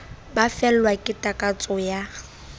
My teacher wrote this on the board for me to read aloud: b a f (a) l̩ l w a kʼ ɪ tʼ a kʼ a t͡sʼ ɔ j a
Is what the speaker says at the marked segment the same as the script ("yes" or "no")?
no